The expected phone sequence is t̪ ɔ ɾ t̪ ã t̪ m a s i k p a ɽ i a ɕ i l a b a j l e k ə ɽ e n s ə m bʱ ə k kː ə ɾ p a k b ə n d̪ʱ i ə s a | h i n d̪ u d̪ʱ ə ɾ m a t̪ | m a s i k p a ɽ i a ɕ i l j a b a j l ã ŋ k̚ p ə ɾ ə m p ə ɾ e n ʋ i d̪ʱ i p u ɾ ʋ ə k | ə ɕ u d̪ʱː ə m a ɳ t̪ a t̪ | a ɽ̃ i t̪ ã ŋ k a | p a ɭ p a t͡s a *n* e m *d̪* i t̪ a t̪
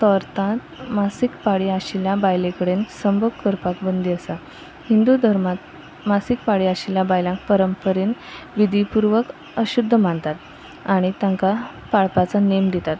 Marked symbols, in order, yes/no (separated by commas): yes, yes